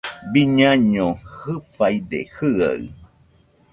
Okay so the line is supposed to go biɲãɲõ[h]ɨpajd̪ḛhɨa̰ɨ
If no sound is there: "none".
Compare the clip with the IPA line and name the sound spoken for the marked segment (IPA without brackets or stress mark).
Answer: h